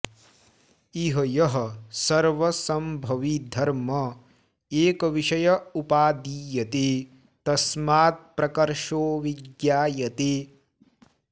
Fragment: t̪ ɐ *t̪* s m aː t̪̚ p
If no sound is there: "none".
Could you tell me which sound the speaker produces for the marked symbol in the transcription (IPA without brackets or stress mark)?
none